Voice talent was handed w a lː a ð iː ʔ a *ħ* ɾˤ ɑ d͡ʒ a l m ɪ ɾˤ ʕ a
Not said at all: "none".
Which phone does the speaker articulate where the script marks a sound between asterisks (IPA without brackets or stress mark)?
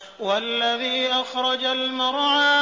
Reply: x